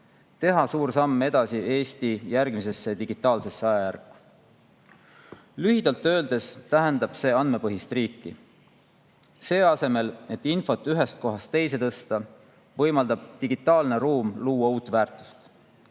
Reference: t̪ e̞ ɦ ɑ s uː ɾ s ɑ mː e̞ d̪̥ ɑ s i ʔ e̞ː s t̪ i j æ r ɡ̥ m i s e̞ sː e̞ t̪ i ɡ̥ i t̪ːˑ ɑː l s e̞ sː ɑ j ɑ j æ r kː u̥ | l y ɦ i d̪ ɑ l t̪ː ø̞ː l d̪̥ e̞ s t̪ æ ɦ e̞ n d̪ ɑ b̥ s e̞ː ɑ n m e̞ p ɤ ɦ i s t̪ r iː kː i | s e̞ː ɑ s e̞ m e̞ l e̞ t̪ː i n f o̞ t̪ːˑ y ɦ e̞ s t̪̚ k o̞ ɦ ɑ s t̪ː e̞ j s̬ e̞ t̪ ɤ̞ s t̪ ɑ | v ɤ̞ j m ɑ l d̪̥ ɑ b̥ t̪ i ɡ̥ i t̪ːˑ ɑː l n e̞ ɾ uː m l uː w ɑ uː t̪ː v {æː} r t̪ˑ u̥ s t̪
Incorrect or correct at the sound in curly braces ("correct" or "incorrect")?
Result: correct